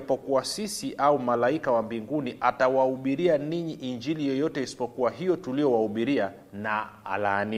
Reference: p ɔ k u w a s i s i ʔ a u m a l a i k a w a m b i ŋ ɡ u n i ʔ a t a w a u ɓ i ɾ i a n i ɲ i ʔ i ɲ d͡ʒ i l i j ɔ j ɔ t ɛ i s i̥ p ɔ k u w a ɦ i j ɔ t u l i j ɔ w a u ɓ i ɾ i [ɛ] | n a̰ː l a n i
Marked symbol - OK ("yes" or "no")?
no